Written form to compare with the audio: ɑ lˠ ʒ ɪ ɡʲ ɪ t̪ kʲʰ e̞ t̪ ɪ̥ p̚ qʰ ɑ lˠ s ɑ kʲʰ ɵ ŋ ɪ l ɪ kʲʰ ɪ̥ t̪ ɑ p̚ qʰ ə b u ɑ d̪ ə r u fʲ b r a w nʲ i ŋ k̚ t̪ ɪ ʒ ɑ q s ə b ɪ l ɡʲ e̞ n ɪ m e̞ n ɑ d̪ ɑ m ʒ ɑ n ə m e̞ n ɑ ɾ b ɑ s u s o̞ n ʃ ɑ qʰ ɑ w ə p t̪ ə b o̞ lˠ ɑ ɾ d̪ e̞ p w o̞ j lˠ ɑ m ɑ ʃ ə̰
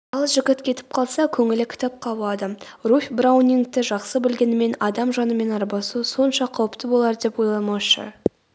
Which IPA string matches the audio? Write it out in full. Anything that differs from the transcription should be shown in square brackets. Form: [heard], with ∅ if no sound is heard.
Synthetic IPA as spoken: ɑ lˠ ʒ ɪ ɡʲ ɪ t̪ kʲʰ e̞ t̪ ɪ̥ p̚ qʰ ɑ lˠ s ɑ kʲʰ ɵ ŋ ɪ l ɪ kʲʰ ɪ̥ t̪ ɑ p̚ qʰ [ɑ] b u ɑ d̪ ə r u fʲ b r a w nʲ i ŋ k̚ t̪ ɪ ʒ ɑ q s ə b ɪ l ɡʲ e̞ n ɪ m e̞ n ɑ d̪ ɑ m ʒ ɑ n ə m e̞ n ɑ ɾ b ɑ s u s o̞ n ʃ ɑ qʰ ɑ w ə p t̪ ə b o̞ lˠ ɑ ɾ d̪ e̞ p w o̞ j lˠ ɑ m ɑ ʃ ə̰